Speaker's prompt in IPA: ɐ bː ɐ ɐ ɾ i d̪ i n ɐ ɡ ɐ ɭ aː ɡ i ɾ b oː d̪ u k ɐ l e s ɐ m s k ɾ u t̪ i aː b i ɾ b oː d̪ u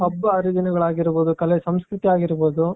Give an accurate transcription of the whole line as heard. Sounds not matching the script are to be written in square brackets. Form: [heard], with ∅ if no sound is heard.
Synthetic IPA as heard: ɐ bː ɐ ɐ ɾ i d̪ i n ɐ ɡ ɐ ɭ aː ɡ i ɾ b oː d̪ u k ɐ l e s ɐ m s k ɾ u t̪ i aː [ɡ] i ɾ b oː d̪ u